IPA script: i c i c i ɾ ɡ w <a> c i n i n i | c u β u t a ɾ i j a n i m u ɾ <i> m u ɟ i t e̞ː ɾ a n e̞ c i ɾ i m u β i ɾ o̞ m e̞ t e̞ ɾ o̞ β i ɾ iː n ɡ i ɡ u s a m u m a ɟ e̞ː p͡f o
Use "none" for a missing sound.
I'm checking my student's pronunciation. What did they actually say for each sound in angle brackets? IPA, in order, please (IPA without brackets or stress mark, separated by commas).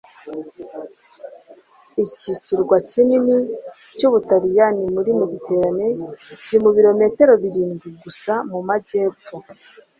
a, i